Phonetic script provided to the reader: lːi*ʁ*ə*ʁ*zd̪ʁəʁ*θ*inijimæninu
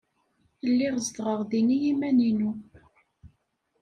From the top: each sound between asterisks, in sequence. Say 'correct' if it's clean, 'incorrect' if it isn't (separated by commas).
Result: correct, incorrect, incorrect